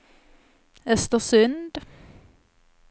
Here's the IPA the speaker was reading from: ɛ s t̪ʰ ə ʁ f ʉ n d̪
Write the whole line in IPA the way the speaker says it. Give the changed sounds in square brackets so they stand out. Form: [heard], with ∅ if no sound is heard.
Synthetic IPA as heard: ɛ s [t̪] ə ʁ [s] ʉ n d̪